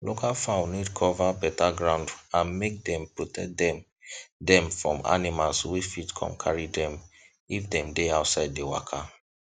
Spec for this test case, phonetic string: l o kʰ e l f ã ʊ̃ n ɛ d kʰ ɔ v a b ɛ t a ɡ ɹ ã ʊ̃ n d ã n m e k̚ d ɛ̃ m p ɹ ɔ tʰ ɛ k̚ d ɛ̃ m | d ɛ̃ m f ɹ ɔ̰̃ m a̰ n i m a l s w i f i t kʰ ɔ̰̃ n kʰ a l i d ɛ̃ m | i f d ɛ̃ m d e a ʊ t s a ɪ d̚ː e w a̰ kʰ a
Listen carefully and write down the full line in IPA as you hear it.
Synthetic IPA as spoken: l o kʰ a l f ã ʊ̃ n i d kʰ ɔ v a b ɛ t a ɡ ɹ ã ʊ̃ n d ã n m e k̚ d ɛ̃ m p ɹ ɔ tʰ ɛ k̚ d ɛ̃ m | d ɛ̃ m f ɹ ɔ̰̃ m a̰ n i m a l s w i f i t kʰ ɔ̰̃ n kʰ a ɹ i d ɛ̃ m | i f d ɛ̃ m d e a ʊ t s a ɪ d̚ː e w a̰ kʰ a